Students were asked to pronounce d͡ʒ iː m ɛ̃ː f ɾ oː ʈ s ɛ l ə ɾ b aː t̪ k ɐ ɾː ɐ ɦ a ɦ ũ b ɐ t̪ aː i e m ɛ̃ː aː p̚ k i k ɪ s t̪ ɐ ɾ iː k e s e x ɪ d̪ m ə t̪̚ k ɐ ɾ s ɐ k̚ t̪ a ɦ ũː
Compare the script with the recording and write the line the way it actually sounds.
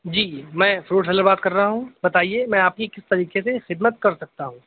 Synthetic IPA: d͡ʒ iː m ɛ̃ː f ɾ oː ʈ s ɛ l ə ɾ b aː t̪ k ɐ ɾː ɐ ɦ a ɦ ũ b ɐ t̪ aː i e m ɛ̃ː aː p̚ k i k ɪ s t̪ ɐ ɾ iː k e s e x ɪ d̪ m ə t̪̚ k ɐ ɾ s ɐ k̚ t̪ a ɦ ũː